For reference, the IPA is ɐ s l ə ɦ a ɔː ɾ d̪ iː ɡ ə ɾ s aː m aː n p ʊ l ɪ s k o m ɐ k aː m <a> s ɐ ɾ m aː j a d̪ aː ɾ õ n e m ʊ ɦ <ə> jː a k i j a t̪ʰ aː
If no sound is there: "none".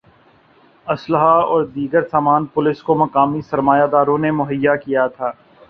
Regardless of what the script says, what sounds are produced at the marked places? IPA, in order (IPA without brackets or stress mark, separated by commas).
i, ə